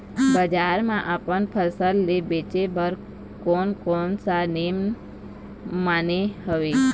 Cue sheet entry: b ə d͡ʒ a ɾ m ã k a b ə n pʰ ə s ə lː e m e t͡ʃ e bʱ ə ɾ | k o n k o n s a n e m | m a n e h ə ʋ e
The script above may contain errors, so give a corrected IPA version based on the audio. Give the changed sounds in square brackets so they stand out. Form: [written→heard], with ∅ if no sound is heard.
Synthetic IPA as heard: b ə d͡ʒ a ɾ m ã [k→ʔ] a [b→p] ə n pʰ ə s ə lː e [m→b] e t͡ʃ e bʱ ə ɾ | k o n k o n s a n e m | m a n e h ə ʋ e